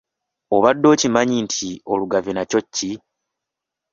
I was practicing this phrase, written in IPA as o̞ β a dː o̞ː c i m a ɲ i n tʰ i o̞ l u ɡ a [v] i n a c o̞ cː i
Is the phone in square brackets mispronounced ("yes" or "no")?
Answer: no